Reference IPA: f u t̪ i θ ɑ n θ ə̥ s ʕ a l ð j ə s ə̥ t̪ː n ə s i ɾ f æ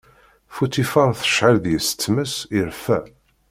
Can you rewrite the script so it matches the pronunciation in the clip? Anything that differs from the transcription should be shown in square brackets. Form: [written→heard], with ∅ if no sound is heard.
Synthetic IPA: f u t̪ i [θ→f] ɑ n θ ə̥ [s→ʃ] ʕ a l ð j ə s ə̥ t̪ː [n→m] ə s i ɾ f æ